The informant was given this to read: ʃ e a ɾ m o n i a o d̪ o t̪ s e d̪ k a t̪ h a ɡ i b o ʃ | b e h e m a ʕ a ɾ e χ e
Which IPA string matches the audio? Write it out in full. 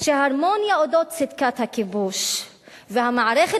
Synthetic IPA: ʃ e a ɾ m o n j a o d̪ o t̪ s i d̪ k a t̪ h a k i b u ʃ | v e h a m a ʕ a ɾ e χ e